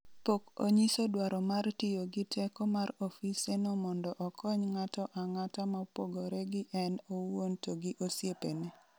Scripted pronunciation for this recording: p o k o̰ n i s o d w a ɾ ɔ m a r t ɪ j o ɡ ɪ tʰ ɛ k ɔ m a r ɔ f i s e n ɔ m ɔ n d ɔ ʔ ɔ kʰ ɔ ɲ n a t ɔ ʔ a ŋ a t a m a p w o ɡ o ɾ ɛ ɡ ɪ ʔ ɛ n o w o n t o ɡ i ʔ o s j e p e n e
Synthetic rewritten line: p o k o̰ ɲ i s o d w a ɾ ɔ m a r t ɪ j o ɡ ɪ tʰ ɛ k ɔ m a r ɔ f i s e n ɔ m ɔ n d ɔ ʔ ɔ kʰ ɔ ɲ ŋ a t ɔ ʔ a ŋ a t a m a p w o ɡ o ɾ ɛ ɡ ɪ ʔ ɛ n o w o n t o ɡ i ʔ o s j e p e n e